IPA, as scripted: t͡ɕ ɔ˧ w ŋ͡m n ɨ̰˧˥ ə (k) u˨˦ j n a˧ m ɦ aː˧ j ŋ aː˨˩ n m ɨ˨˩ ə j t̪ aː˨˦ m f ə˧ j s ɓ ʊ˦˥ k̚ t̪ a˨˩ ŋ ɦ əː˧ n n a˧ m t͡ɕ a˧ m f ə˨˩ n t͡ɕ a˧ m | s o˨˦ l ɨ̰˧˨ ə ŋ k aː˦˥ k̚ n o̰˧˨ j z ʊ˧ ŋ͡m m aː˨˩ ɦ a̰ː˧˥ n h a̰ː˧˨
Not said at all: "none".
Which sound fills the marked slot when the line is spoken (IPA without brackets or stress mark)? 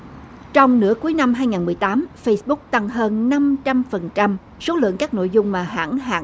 k